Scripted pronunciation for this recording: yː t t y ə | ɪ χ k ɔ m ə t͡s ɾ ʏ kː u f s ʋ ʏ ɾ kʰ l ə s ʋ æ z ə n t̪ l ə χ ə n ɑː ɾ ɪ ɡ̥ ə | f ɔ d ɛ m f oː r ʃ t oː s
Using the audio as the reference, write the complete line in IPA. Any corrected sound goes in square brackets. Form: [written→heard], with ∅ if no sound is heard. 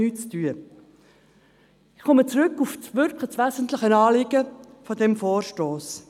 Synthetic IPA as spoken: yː [t→t͡s] t y ə | ɪ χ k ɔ m ə t͡s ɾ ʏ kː u f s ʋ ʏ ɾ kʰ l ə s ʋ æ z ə n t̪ l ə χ ə n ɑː [ɾ→l] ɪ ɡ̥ ə | f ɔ d ɛ m f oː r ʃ t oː s